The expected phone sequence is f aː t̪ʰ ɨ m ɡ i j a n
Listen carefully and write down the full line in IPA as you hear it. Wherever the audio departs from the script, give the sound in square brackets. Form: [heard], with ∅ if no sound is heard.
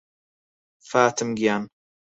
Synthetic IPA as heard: f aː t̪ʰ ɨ m ɡ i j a n